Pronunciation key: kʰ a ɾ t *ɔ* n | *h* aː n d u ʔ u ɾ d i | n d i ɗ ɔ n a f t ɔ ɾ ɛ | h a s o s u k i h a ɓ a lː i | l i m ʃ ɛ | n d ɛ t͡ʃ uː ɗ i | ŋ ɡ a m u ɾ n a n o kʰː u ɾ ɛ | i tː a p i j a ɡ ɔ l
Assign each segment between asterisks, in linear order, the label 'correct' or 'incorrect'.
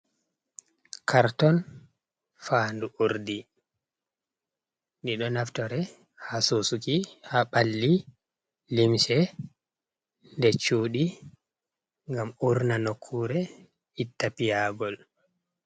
correct, incorrect

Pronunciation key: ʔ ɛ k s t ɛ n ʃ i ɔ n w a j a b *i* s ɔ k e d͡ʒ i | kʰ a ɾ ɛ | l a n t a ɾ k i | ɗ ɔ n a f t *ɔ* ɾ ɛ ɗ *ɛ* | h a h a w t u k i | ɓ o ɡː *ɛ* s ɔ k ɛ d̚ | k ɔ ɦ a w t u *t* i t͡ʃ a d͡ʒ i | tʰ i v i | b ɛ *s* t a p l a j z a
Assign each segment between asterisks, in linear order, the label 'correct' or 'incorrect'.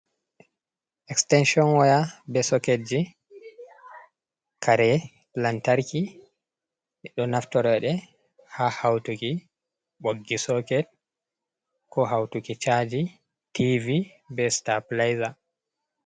incorrect, correct, correct, incorrect, incorrect, correct

